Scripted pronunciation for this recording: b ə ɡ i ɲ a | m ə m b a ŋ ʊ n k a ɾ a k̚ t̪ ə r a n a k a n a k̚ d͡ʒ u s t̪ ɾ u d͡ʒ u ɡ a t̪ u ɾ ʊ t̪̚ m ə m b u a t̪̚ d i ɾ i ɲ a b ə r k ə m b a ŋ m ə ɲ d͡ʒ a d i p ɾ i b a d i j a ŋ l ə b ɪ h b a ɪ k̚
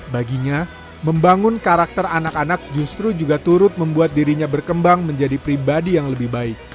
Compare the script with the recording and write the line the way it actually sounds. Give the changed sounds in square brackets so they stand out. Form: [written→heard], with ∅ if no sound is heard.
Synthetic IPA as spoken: b [ə→a] ɡ i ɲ a | m ə m b a ŋ ʊ n k a ɾ a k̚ t̪ ə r a n a k a n a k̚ d͡ʒ u s t̪ ɾ u d͡ʒ u ɡ a t̪ u ɾ ʊ t̪̚ m ə m b u a t̪̚ d i ɾ i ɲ a b ə r k ə m b a ŋ m ə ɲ d͡ʒ a d i p ɾ i b a d i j a ŋ l ə b ɪ h b a ɪ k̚